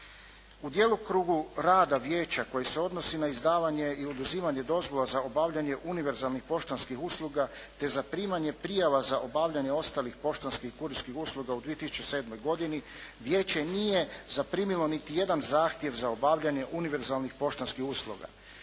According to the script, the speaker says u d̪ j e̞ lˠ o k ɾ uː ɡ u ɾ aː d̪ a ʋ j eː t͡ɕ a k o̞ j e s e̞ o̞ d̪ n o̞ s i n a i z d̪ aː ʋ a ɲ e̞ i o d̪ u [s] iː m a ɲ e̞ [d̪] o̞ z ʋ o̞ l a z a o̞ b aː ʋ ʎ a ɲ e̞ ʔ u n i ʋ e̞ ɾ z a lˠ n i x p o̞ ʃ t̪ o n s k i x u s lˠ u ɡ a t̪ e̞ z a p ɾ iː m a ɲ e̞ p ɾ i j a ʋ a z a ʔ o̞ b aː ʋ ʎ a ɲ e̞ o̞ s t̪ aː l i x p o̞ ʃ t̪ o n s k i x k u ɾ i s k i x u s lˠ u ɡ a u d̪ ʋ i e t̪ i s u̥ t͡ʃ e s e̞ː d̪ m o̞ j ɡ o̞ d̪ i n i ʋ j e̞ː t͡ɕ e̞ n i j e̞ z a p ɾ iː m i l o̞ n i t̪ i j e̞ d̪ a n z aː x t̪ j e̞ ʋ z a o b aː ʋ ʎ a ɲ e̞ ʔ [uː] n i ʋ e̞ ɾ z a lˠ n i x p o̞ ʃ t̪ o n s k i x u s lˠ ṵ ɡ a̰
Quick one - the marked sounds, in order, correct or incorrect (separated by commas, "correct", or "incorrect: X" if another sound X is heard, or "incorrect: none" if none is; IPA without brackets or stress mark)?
incorrect: z, correct, incorrect: u